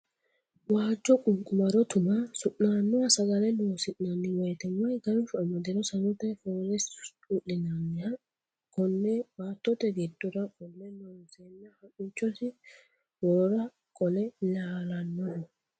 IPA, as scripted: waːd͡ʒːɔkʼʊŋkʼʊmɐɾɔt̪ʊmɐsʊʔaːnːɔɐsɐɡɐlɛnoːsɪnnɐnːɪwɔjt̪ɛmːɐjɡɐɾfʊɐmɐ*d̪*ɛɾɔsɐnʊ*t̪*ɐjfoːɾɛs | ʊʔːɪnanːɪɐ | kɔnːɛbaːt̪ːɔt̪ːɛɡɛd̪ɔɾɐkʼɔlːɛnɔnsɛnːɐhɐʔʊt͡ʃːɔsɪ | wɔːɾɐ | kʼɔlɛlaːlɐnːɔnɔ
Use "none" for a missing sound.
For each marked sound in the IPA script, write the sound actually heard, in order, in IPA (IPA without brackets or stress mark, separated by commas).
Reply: d̪, t̪